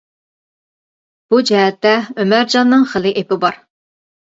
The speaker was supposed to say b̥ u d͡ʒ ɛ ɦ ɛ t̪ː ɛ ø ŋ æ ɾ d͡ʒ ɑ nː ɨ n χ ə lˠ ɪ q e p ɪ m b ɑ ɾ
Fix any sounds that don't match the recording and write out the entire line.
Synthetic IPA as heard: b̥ u d͡ʒ ɛ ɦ ɛ t̪ː ɛ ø m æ ɾ d͡ʒ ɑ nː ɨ ŋ χ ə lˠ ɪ ʔ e p ɪ b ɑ ɾ